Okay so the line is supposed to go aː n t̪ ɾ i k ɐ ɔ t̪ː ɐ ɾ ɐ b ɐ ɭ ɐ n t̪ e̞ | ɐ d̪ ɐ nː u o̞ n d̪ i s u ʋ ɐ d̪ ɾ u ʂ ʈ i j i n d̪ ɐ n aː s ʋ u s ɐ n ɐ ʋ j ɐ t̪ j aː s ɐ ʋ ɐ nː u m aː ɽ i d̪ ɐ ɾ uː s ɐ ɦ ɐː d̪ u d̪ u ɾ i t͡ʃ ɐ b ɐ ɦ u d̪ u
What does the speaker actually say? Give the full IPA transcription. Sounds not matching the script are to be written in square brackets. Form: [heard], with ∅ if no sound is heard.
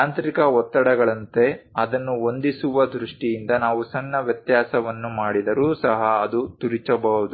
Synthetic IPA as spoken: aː n t̪ ɾ i k ɐ ɔ t̪ː ɐ [ɽ] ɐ [ɡ] ɐ ɭ ɐ n t̪ e̞ | ɐ d̪ ɐ nː u o̞ n d̪ i s u ʋ ɐ d̪ ɾ u ʂ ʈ i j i n d̪ ɐ n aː [∅] ʋ u s ɐ [nː] ɐ ʋ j ɐ t̪ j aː s ɐ ʋ ɐ nː u m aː ɽ i d̪ ɐ ɾ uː s ɐ ɦ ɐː d̪ u [t̪] u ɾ i t͡ʃ ɐ b ɐ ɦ u d̪ u